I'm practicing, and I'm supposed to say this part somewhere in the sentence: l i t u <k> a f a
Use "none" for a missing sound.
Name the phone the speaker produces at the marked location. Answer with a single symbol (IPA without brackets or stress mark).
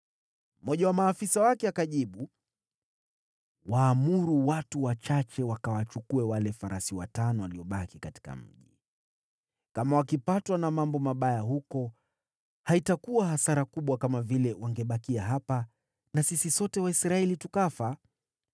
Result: k